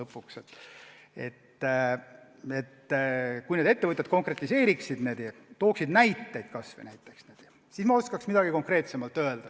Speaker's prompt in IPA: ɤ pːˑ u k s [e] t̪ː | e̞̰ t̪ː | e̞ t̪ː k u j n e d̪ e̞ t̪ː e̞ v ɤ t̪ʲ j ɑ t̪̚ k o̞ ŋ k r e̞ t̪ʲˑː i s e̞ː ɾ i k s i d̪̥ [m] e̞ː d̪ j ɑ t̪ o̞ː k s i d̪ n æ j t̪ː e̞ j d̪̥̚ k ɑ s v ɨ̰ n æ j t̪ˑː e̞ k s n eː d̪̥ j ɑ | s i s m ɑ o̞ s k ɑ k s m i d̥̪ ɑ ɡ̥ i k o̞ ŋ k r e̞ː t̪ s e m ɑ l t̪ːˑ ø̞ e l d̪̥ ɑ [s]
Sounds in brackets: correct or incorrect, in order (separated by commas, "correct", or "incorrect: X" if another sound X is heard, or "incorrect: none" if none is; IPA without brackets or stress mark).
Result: correct, incorrect: n, incorrect: none